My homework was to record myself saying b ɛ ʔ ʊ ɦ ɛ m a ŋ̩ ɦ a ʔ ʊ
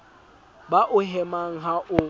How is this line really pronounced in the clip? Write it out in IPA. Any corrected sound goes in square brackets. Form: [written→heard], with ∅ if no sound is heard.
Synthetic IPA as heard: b [ɛ→a] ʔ ʊ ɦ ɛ m a ŋ̩ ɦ a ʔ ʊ